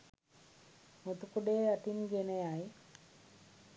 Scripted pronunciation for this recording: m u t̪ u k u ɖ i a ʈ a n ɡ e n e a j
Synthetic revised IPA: m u t̪ u k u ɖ e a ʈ i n ɡ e n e a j